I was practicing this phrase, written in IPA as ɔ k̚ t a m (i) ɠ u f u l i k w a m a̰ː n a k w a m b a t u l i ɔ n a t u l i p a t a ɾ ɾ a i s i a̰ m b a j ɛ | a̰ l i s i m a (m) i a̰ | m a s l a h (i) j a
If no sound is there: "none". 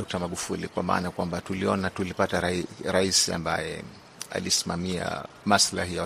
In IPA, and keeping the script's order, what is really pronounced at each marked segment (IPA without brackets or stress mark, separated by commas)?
a, m, i